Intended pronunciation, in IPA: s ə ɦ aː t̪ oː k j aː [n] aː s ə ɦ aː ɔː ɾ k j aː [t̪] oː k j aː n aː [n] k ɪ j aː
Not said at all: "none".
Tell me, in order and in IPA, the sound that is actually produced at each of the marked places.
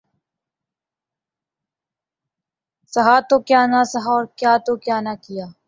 n, t̪, none

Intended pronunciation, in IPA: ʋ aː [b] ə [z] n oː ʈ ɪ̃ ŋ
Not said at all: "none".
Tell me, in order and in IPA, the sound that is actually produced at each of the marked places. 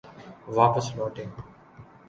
p, s

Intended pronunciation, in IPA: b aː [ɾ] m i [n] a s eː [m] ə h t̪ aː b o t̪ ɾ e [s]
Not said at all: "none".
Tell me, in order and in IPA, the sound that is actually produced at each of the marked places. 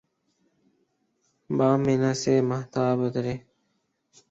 none, n, m, none

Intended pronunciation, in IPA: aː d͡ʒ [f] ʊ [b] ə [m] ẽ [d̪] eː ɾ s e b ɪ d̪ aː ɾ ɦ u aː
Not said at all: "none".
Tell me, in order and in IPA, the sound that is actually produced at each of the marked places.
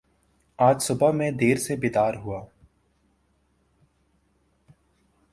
s, b, m, d̪

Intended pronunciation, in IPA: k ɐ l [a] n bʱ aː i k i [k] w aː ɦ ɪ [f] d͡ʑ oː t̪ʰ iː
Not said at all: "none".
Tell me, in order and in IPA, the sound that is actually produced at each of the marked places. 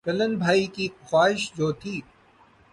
ə, x, ʃ

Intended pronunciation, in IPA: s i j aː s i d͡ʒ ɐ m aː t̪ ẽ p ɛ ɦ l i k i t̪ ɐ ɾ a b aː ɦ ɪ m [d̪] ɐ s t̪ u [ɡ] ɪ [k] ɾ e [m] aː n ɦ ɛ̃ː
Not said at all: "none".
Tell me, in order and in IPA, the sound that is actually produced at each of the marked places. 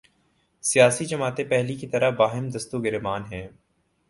d̪, ɡ, none, m

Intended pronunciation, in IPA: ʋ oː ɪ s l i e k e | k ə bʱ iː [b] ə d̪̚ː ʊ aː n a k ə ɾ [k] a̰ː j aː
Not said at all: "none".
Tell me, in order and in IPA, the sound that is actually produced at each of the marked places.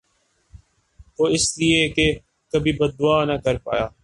b, p

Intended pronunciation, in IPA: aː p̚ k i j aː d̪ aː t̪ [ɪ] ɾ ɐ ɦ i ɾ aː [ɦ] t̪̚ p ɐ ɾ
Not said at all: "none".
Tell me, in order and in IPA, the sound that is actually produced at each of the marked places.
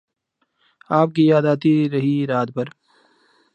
i, none

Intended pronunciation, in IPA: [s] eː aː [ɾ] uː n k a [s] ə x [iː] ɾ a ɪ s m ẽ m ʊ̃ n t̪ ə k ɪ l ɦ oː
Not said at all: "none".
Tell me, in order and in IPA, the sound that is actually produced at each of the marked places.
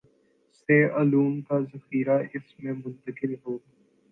s, l, z, iː

